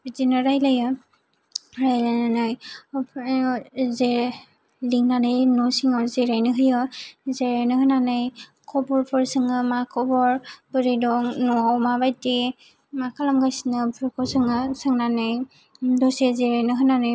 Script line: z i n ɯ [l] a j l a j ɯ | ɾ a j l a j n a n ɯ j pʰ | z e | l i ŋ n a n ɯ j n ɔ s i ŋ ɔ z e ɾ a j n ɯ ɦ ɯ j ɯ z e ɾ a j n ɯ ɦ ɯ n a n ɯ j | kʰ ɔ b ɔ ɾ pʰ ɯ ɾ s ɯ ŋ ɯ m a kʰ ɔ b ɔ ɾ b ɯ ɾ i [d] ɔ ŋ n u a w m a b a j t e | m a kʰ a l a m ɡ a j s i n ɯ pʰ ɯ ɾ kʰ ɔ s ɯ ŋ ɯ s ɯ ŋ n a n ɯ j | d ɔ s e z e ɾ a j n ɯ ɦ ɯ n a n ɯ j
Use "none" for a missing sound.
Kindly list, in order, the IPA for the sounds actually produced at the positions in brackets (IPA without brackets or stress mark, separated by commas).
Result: ɾ, d